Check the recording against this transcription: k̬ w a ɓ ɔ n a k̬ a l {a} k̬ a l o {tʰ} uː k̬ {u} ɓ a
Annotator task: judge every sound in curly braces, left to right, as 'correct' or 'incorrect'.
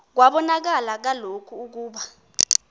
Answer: correct, incorrect: kʰ, incorrect: uː

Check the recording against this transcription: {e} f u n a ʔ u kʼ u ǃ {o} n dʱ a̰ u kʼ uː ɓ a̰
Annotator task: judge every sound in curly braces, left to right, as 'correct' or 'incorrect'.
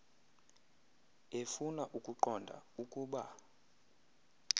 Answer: correct, incorrect: ɔ

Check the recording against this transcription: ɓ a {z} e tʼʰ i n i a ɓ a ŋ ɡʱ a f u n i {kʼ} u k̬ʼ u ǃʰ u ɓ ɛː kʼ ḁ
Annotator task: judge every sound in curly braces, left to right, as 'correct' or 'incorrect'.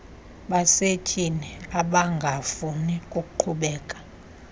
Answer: incorrect: s, correct

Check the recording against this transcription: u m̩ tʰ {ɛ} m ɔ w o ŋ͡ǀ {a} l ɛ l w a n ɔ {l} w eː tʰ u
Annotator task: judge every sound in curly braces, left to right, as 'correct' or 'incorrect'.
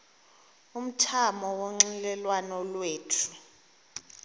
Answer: incorrect: a, incorrect: i, correct

